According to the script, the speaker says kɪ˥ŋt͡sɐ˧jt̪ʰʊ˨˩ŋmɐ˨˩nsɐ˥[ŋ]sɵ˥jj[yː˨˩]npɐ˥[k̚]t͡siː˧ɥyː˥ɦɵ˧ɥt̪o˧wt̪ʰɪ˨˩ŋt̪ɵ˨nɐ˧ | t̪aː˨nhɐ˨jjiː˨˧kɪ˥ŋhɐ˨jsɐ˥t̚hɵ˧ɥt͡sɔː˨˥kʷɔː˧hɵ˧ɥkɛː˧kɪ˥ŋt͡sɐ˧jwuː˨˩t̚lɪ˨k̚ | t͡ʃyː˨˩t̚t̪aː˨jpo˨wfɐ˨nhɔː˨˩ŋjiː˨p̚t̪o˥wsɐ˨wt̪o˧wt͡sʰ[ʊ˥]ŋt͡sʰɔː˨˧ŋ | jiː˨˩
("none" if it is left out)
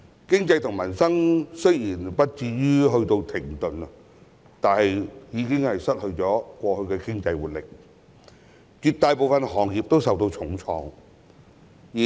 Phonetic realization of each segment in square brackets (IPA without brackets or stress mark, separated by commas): ŋ, iː˨˩, t̚, ʊ˨˥